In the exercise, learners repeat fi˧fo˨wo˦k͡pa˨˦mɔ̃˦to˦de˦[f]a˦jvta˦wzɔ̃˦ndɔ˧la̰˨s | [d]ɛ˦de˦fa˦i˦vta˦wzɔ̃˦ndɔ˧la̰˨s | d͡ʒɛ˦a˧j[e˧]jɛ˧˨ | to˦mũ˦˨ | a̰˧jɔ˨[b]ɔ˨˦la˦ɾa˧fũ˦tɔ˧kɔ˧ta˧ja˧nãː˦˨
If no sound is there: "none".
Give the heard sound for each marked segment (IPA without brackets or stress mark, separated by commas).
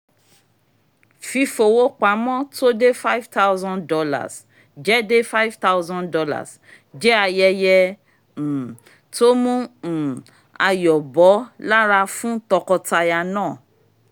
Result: f, d͡ʒ, ɛ˧, b